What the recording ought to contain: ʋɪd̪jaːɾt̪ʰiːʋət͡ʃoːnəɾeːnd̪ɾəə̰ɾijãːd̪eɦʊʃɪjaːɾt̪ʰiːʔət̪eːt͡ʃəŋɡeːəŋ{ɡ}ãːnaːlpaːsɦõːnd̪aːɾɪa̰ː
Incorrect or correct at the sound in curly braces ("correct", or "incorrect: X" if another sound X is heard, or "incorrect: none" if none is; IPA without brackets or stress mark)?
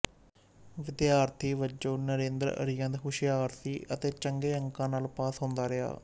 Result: incorrect: k